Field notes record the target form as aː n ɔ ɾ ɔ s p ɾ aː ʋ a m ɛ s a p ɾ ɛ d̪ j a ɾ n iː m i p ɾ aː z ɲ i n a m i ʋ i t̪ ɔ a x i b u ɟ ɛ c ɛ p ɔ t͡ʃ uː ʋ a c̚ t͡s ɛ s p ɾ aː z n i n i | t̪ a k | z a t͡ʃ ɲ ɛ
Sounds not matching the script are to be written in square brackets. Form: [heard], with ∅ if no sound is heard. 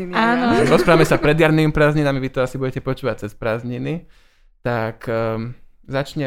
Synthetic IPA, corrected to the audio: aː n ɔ ɾ ɔ s p ɾ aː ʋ a m ɛ s a p ɾ ɛ d̪ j a ɾ n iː m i p ɾ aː z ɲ i n a m i ʋ i t̪ ɔ a [s] i b u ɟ ɛ c ɛ p ɔ t͡ʃ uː ʋ a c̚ t͡s ɛ s p ɾ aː z [ɲ] i n i | t̪ a k | z a t͡ʃ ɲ ɛ